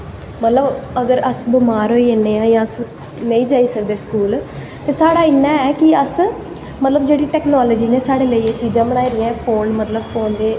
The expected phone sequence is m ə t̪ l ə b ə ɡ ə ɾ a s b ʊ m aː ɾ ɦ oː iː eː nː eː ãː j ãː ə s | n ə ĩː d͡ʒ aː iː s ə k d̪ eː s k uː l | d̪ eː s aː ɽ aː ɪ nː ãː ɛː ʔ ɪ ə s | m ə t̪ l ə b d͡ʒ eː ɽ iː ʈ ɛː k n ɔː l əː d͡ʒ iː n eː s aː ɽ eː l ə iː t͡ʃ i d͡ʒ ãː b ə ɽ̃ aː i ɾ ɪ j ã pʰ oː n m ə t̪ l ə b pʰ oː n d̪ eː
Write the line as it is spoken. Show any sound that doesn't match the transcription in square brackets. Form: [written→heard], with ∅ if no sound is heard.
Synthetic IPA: m ə t̪ l ə b ə ɡ ə ɾ [a→ə] s b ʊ m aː ɾ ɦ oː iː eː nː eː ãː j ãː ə s | n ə ĩː d͡ʒ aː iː s ə k d̪ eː s k uː l | [d̪→t̪] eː s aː ɽ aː ɪ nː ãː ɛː [ʔ→k] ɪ ə s | m ə t̪ l ə b d͡ʒ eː ɽ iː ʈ ɛː k n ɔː l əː d͡ʒ iː n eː s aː ɽ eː l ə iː t͡ʃ [i→iː] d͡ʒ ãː b ə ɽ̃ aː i ɾ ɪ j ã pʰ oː n m ə t̪ l ə b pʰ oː n d̪ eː